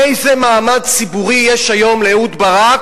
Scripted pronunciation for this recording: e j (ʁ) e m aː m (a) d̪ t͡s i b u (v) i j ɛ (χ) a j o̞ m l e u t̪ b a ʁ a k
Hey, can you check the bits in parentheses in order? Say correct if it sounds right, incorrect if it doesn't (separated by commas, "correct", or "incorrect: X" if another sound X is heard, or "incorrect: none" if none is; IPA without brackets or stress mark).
incorrect: z, correct, incorrect: ʁ, incorrect: ʃ